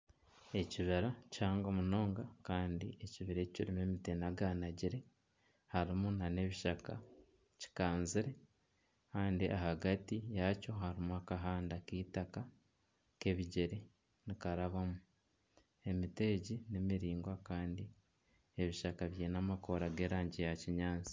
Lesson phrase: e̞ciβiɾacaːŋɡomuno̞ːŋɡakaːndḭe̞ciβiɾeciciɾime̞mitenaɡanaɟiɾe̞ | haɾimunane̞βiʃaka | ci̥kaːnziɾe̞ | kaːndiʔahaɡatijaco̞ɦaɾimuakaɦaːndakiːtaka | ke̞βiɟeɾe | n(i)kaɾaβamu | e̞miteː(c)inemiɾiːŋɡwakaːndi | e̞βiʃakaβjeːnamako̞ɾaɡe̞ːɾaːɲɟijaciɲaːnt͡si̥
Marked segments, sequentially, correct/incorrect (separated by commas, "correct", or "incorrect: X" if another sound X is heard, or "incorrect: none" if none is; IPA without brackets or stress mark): correct, incorrect: ɟ